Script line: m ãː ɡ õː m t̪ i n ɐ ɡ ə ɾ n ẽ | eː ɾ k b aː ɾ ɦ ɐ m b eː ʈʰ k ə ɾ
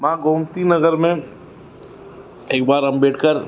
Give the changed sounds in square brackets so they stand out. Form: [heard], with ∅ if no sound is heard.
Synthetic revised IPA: m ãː ɡ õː m t̪ i n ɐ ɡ ə ɾ [m] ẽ | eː [∅] k b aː ɾ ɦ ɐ m b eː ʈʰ k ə ɾ